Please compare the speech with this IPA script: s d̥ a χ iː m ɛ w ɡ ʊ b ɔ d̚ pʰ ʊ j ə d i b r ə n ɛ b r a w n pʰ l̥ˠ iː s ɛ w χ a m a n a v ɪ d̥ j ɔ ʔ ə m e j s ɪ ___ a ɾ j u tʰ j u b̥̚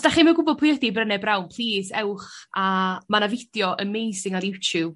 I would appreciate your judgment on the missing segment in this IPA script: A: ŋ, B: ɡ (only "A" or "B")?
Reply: A